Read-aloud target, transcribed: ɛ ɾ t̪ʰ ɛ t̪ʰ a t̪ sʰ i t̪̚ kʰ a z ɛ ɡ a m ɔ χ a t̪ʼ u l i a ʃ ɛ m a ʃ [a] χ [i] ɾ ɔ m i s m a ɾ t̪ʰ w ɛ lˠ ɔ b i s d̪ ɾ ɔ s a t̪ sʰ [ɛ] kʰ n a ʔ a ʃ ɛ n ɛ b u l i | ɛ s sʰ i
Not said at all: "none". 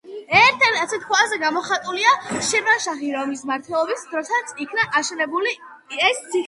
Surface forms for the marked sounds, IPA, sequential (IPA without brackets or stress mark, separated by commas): a, i, i